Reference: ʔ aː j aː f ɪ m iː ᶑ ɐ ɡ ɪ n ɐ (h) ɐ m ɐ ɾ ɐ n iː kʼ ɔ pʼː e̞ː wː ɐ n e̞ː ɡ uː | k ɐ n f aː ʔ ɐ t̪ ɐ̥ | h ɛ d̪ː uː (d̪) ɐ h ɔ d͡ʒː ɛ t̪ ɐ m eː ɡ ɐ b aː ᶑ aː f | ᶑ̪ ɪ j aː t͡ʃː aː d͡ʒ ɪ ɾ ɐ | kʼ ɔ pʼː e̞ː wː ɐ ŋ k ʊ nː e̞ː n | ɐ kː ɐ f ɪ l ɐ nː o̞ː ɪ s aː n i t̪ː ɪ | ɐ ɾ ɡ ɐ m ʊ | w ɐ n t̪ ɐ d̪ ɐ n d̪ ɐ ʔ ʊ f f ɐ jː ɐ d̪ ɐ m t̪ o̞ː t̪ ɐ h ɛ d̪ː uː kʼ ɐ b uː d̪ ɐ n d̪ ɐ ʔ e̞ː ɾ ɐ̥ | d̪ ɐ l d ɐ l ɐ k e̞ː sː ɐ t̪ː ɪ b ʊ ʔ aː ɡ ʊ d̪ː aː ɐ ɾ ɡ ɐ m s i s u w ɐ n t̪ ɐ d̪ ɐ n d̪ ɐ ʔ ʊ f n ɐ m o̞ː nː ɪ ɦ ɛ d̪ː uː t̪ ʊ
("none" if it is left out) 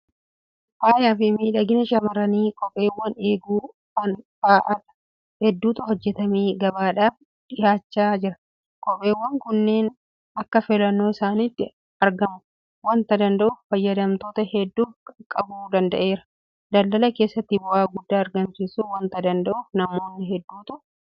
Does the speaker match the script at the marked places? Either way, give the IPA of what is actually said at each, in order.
ʃ, t̪

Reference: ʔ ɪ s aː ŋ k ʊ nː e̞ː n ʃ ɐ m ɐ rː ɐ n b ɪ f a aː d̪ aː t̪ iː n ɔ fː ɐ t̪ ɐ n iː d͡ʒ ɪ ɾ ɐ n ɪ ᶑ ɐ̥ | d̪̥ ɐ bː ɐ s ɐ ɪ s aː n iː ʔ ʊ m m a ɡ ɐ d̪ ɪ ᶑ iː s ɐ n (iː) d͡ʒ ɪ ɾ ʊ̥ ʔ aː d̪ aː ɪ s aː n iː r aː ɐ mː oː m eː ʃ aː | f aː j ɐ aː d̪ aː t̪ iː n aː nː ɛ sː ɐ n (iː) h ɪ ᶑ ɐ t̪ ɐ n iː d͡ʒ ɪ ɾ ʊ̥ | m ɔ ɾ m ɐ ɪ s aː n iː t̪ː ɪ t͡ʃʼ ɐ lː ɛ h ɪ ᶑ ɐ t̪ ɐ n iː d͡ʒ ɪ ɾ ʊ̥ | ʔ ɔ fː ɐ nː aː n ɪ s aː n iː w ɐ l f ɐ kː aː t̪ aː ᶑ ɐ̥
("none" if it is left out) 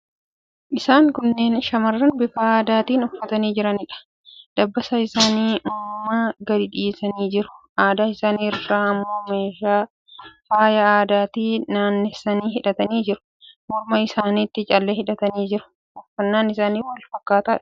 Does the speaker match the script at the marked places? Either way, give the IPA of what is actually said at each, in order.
iː, iː

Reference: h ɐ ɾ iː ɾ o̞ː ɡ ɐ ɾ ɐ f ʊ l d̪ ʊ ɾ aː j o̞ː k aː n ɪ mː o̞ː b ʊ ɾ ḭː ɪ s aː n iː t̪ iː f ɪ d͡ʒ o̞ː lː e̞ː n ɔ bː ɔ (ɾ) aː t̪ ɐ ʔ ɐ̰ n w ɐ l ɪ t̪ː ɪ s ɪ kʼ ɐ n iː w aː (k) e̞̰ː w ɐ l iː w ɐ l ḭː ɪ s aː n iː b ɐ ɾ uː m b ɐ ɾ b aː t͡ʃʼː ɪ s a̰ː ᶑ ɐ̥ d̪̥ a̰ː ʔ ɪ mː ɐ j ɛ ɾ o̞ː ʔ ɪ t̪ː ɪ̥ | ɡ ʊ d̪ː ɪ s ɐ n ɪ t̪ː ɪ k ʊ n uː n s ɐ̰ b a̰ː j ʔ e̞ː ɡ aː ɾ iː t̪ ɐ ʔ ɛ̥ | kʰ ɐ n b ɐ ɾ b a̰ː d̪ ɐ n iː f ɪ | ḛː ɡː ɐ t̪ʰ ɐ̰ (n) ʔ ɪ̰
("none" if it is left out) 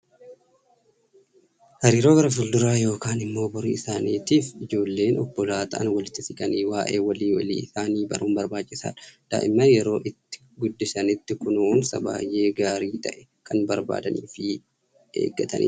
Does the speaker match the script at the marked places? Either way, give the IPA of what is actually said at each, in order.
l, ʔ, n

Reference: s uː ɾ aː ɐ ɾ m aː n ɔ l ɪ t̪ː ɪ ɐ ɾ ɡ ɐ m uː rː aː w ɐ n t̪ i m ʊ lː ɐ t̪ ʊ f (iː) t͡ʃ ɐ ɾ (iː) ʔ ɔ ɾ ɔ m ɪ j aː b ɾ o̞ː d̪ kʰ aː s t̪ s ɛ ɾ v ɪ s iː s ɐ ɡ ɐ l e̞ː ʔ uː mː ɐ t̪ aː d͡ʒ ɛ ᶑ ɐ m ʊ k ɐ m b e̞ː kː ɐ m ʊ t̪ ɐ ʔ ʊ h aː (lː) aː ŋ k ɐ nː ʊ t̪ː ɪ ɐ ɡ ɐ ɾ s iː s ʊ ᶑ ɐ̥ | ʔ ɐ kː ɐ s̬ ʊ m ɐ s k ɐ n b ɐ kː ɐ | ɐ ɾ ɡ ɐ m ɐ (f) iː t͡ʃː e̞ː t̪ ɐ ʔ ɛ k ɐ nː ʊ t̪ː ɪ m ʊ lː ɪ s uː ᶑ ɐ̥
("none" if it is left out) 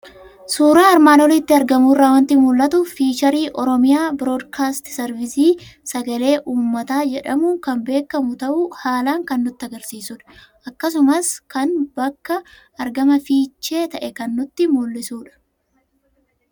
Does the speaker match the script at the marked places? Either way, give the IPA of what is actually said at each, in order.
iː, iː, l, f

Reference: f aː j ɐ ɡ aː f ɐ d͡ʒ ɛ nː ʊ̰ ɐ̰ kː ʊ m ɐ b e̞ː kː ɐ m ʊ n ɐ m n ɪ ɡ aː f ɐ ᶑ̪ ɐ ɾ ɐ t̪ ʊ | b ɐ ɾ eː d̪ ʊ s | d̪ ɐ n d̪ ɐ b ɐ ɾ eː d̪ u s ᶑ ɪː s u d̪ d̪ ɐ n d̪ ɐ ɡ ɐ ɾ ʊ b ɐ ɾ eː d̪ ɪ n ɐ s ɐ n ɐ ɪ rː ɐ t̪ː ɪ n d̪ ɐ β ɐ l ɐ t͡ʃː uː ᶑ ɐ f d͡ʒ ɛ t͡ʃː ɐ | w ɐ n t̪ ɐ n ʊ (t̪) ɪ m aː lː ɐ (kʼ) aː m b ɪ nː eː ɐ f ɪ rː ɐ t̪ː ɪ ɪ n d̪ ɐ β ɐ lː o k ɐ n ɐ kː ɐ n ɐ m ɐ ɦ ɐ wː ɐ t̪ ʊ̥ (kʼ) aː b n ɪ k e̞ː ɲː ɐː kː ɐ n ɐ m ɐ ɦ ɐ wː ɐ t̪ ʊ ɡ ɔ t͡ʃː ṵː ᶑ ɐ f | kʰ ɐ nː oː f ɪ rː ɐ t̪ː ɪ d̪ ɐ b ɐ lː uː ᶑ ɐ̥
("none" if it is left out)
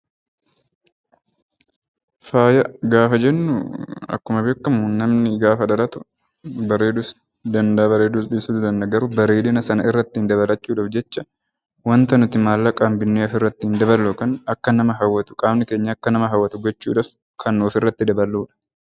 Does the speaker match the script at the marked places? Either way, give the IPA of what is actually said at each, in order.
t̪, kʼ, kʼ

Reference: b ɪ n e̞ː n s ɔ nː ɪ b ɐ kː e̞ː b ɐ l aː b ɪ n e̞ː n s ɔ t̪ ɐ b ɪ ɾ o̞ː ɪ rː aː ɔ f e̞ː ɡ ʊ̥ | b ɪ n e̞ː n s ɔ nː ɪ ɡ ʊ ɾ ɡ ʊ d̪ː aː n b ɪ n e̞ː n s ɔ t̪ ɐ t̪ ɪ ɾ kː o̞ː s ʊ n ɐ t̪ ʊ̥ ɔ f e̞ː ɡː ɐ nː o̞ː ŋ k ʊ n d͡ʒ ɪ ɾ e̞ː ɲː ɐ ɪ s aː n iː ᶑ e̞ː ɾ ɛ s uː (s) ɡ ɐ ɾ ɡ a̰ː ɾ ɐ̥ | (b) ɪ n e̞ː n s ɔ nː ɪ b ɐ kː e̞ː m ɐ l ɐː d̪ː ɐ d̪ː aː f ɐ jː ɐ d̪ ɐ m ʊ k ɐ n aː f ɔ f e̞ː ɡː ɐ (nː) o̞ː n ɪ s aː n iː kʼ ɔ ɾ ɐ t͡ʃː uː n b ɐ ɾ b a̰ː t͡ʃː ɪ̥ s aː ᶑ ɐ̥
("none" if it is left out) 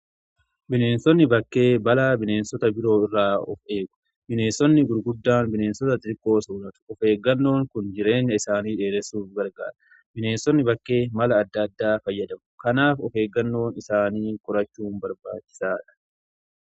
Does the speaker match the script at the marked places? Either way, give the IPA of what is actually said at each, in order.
f, b, nː

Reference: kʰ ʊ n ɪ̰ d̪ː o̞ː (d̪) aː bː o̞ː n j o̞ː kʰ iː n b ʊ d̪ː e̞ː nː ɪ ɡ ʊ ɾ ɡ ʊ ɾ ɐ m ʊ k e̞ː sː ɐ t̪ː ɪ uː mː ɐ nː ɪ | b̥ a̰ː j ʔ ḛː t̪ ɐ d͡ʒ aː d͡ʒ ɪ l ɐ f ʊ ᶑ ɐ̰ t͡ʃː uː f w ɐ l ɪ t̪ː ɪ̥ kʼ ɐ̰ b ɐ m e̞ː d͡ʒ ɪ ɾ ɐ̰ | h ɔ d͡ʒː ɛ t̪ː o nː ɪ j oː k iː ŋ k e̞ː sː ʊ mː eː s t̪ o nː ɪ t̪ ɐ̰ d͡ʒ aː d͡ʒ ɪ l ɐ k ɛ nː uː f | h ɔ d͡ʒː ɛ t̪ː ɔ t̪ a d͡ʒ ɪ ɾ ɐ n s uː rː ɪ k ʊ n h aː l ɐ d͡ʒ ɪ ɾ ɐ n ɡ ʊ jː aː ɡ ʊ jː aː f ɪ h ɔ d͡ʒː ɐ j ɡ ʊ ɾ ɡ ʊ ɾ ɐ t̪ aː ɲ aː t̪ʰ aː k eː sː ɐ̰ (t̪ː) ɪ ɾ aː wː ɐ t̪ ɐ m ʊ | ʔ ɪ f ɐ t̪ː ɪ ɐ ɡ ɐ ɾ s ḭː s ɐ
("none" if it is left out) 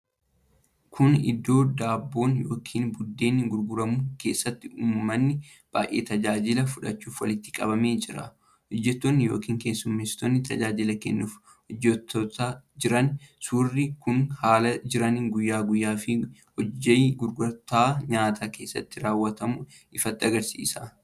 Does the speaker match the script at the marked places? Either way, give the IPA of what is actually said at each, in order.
d̪, t̪ː

